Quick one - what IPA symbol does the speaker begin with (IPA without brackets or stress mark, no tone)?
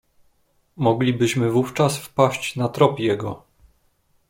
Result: m